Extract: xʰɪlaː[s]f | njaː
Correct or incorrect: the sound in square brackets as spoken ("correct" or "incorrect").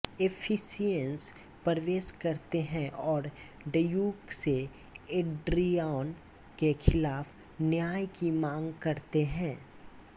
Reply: incorrect